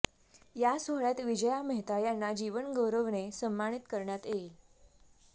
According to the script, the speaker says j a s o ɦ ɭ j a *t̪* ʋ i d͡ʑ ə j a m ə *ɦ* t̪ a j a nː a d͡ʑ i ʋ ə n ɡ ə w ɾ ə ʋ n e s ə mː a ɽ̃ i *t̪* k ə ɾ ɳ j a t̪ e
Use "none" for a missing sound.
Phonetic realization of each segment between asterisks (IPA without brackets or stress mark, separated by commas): t̪, ɦ, t̪